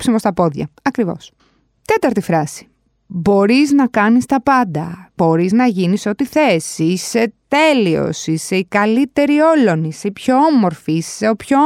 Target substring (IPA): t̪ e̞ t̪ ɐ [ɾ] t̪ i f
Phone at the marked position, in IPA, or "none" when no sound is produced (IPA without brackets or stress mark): ɾ